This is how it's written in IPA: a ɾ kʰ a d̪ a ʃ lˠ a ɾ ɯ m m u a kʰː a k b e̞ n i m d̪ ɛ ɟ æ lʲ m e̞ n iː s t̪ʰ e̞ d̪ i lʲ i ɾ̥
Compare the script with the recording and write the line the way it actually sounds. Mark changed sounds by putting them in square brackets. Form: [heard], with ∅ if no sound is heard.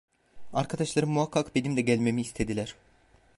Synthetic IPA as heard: a ɾ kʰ a d̪ a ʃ lˠ a ɾ ɯ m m u a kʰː a k b e̞ n i m d̪ ɛ ɟ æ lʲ m e̞ [m] iː s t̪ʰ e̞ d̪ i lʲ [æ] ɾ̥